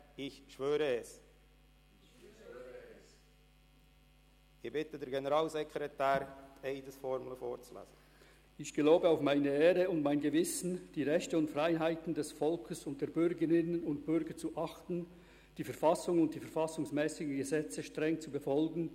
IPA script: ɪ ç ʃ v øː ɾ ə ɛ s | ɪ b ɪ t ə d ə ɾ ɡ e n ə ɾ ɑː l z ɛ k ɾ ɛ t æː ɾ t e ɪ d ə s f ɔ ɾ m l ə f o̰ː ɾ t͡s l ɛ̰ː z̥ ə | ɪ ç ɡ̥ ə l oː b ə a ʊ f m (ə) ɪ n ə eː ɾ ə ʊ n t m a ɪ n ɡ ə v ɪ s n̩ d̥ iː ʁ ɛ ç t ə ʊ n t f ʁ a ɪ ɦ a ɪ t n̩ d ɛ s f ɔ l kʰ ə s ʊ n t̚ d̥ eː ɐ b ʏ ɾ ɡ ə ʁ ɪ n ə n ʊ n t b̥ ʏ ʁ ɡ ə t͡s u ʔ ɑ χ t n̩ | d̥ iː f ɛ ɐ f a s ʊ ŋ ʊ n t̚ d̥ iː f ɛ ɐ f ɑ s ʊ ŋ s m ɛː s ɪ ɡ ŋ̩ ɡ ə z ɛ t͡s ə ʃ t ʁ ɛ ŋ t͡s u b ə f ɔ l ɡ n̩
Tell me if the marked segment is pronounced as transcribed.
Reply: no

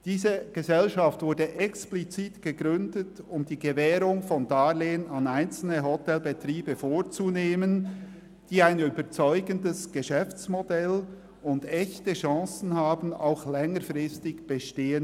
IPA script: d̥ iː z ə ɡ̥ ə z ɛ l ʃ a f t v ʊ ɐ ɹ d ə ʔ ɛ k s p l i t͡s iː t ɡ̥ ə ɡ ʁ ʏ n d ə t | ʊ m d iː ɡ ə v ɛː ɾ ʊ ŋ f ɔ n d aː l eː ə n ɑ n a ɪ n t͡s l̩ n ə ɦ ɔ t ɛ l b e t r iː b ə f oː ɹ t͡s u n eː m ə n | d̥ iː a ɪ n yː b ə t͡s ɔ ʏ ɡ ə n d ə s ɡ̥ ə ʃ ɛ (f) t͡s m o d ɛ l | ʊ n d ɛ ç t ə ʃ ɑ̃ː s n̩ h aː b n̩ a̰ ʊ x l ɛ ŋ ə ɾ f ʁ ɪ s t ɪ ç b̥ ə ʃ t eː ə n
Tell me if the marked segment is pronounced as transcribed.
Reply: yes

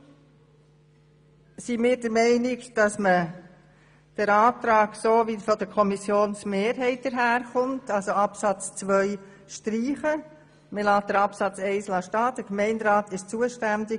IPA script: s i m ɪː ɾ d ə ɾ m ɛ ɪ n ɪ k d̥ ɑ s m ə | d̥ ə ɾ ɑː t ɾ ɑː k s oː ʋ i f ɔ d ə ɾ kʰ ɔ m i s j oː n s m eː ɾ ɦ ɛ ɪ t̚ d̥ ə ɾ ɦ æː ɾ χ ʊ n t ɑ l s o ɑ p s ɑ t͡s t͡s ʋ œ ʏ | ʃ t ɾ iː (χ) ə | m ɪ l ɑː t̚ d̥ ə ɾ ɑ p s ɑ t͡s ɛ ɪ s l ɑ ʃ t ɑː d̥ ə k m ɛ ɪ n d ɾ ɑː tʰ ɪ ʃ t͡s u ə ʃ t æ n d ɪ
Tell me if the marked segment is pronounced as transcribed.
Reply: yes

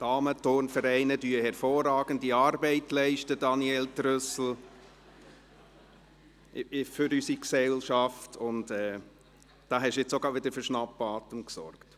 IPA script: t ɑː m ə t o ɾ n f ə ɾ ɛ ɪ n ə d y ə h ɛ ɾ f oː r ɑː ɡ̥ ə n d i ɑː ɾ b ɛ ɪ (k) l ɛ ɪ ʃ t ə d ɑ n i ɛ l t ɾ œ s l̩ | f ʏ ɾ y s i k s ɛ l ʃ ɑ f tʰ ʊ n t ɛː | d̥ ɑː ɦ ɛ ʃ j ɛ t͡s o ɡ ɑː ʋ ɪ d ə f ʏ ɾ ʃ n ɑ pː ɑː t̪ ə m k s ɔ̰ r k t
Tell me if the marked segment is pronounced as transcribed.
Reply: no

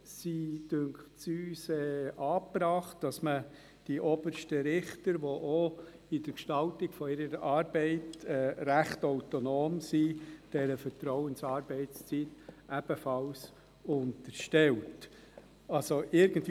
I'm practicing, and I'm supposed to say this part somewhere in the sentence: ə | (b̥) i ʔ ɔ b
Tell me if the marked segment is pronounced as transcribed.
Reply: no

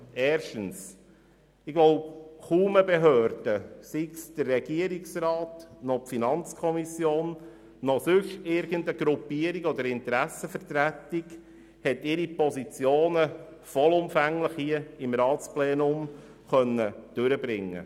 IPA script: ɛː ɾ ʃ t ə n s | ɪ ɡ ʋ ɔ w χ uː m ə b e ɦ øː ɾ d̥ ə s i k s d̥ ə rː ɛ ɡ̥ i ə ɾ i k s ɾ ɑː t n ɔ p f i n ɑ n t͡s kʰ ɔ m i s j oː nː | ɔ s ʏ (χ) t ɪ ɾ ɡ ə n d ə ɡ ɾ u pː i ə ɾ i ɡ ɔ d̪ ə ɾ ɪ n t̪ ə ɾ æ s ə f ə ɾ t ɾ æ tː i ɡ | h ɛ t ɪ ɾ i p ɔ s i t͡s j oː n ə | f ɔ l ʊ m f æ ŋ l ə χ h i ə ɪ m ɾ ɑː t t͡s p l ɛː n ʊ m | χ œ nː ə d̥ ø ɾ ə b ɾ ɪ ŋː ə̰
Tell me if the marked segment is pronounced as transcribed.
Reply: no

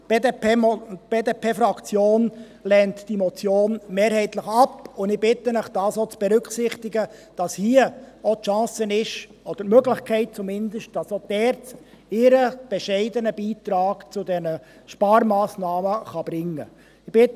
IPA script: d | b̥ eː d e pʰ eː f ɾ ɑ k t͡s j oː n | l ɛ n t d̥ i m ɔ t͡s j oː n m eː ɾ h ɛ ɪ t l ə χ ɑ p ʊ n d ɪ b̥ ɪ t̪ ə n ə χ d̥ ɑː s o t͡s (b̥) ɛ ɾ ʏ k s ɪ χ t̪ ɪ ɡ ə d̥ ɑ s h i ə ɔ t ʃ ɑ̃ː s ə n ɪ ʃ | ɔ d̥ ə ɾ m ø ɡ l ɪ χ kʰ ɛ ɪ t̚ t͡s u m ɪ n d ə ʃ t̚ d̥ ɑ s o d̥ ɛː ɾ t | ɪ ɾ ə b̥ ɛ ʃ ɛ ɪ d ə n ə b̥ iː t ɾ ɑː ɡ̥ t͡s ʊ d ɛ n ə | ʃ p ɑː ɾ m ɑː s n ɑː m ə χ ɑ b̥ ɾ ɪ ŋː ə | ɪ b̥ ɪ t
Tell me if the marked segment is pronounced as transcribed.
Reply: yes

